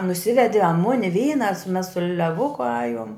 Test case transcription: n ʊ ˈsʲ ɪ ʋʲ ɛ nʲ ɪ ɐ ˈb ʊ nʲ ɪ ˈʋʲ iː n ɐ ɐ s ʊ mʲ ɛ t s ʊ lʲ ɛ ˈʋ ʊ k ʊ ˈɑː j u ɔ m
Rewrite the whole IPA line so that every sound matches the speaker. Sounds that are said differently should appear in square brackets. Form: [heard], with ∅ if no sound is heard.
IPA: n ʊ ˈsʲ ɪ ʋʲ ɛ [dʲ] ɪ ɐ [ˈm] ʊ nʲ ɪ ˈʋʲ iː n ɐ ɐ s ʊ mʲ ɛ [s] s ʊ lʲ ɛ ˈʋ ʊ k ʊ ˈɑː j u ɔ m